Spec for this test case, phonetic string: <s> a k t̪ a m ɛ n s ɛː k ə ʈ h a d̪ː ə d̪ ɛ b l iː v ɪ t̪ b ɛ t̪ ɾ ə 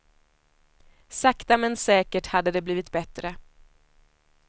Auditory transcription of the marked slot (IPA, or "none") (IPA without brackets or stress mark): s